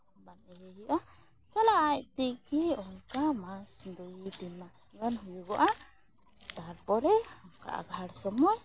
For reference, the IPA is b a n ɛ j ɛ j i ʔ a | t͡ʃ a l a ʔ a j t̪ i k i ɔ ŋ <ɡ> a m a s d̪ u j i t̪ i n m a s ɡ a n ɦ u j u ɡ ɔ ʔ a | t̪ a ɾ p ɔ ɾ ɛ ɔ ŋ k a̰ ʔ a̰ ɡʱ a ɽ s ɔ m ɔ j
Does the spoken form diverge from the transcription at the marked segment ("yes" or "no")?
yes